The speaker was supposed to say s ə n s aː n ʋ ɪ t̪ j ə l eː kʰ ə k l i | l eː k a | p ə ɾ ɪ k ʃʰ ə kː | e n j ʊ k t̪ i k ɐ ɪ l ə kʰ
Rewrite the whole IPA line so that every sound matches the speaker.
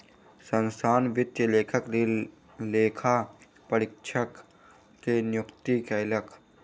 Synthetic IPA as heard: s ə n s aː n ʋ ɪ t̪ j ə l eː kʰ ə k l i | l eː kʰ a | p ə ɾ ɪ k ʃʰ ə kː | e n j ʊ k t̪ i k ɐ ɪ l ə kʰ